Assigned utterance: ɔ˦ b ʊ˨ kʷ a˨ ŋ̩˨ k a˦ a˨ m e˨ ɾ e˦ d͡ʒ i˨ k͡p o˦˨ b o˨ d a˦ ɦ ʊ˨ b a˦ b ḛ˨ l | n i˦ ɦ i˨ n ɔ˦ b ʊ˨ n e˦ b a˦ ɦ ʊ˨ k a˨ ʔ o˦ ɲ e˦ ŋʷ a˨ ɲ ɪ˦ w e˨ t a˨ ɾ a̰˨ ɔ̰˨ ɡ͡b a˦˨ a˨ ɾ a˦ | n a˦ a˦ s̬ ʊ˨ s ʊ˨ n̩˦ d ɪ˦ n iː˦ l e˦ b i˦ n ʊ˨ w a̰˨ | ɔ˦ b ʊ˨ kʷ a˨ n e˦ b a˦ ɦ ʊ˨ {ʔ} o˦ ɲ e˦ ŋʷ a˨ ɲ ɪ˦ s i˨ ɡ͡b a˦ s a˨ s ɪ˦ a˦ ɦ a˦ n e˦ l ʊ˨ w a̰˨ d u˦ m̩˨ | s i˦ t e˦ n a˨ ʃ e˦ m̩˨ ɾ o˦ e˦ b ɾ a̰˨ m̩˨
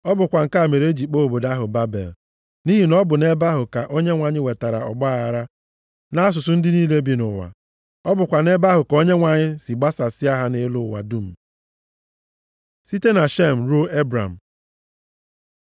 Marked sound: incorrect: k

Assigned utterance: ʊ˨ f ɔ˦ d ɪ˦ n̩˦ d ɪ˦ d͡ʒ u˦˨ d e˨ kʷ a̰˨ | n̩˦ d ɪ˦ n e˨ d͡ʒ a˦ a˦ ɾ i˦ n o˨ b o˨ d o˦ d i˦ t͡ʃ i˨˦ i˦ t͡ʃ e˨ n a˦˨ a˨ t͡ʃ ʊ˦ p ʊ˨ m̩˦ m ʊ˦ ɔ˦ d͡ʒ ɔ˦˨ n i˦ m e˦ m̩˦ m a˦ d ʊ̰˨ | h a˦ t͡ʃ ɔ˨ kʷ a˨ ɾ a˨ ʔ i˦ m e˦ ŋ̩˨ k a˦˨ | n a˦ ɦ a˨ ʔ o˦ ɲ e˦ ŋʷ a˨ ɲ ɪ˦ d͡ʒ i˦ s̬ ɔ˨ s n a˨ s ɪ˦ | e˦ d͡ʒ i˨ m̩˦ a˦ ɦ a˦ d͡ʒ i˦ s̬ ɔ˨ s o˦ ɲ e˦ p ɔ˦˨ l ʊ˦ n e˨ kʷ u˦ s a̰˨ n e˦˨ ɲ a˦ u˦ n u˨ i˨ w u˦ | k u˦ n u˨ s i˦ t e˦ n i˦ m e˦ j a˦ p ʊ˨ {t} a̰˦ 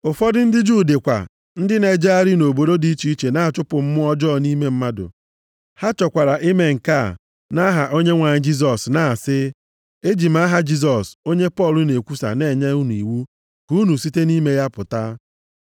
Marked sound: correct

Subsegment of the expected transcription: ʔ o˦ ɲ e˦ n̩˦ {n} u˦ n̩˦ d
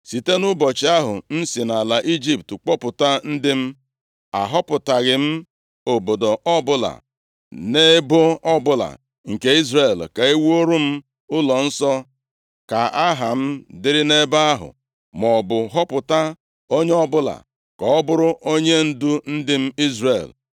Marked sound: incorrect: d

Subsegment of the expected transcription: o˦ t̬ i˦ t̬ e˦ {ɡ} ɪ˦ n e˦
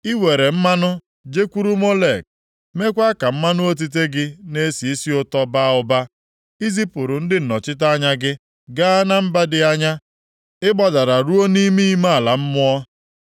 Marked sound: correct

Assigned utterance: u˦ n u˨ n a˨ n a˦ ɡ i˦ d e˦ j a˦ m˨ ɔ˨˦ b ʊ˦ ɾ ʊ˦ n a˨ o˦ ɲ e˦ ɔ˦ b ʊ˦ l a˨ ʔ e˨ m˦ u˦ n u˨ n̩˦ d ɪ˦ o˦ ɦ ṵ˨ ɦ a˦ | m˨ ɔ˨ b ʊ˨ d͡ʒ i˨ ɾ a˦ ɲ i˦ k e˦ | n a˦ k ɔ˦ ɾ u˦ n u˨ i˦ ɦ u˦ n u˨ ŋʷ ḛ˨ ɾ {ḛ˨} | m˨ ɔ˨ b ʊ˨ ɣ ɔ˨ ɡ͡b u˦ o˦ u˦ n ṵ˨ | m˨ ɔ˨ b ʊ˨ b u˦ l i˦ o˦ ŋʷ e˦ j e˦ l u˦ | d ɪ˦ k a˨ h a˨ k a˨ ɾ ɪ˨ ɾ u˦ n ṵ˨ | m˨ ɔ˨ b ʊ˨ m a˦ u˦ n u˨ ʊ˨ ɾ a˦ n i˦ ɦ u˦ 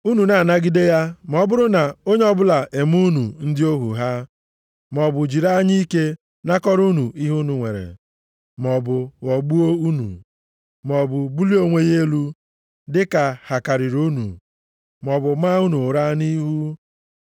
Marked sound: correct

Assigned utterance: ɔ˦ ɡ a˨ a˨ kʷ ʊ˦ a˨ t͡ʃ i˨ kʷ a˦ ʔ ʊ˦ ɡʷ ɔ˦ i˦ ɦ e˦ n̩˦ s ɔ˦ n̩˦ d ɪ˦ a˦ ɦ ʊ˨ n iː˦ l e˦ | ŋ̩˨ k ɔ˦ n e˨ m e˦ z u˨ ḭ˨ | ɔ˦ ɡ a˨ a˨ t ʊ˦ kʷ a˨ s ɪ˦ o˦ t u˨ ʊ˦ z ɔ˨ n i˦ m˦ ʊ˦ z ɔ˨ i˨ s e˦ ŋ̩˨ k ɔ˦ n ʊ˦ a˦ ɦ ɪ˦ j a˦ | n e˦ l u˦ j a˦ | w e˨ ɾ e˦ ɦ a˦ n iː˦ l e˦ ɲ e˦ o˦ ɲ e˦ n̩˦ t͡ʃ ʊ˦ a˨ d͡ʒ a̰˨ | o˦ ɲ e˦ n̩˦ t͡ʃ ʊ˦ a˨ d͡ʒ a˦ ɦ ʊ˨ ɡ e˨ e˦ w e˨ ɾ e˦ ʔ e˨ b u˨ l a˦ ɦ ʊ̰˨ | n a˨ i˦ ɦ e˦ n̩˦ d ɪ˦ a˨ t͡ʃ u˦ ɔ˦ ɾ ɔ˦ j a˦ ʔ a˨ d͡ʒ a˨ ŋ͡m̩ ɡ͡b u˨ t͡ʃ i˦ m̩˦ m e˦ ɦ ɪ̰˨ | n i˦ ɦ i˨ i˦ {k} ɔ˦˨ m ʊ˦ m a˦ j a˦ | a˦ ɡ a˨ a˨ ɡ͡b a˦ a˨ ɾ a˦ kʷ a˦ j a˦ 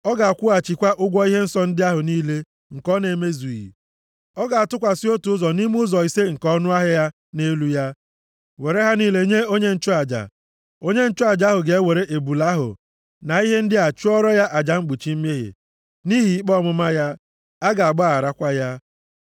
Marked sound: incorrect: k͡p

